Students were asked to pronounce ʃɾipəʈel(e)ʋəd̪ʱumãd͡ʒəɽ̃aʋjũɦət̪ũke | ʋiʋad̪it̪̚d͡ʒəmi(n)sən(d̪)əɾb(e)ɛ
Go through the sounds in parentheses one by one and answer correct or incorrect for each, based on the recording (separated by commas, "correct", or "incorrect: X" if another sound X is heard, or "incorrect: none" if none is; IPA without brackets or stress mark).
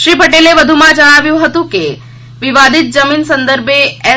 correct, correct, correct, correct